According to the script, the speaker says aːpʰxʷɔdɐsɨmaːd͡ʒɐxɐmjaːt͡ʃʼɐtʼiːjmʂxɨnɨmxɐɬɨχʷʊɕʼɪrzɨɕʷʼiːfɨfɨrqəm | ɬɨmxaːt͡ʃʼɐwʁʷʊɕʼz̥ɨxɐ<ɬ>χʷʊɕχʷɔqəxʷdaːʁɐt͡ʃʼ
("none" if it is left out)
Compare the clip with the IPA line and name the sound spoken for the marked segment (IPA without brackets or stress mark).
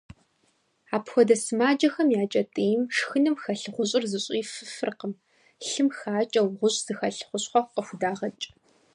ɬ